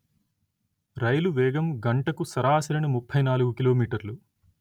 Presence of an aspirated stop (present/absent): present